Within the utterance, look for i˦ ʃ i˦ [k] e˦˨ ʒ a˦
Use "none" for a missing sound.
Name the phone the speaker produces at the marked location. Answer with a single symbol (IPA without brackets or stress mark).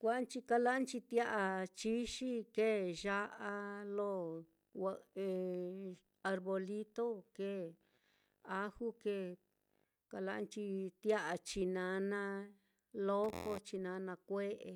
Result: k